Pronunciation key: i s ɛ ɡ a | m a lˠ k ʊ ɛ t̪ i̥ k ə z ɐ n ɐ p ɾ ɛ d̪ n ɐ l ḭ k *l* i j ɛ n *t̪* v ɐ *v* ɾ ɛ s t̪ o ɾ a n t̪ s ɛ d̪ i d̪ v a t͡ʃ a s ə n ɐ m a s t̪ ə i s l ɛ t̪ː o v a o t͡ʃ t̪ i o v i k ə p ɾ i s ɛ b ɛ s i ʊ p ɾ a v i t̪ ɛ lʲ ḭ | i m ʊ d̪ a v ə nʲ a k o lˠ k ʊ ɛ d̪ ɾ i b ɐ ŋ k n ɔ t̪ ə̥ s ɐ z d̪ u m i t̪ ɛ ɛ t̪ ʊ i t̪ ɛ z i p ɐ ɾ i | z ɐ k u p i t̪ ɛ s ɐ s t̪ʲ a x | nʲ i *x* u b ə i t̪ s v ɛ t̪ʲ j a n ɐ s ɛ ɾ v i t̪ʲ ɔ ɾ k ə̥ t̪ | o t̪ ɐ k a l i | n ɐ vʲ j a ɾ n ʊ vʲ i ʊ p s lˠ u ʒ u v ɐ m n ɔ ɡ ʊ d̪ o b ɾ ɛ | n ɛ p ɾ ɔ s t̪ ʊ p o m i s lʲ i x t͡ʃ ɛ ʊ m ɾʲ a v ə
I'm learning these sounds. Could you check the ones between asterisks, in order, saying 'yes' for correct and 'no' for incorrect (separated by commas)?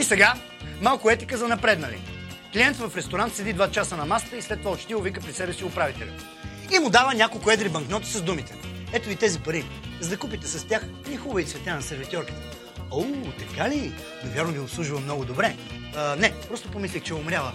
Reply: yes, yes, no, yes